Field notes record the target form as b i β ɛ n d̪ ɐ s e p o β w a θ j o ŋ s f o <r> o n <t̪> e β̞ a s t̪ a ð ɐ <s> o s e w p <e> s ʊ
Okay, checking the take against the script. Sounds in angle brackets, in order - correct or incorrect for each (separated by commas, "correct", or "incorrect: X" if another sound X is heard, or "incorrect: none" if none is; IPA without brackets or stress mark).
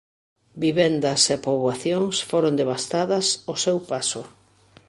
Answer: incorrect: ɾ, incorrect: d̪, correct, incorrect: a